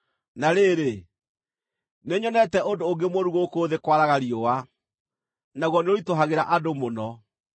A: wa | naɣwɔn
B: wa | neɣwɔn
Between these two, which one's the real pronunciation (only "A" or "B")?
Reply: A